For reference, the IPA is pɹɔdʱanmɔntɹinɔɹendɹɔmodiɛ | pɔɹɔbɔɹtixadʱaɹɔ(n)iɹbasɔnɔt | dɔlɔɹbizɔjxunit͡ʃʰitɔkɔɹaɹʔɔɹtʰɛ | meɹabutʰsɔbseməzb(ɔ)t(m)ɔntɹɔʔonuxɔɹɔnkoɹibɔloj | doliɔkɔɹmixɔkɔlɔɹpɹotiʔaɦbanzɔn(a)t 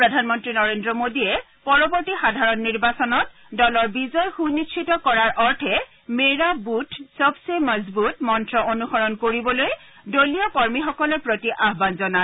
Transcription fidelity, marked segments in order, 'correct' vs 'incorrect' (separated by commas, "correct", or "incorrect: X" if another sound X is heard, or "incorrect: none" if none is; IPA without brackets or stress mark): incorrect: nː, incorrect: u, correct, correct